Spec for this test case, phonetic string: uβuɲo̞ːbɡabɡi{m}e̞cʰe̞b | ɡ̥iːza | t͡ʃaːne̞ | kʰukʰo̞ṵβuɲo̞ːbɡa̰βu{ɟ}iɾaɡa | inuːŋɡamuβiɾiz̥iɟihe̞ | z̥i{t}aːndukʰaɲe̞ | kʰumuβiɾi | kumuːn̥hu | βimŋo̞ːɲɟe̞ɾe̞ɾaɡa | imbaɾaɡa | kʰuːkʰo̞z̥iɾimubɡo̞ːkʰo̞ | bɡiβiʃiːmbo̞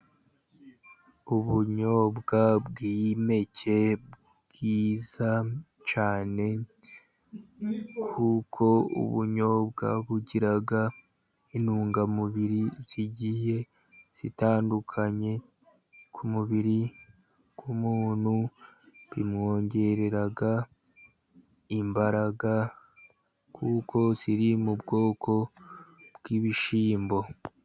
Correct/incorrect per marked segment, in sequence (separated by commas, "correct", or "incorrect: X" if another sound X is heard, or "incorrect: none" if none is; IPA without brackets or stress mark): correct, correct, correct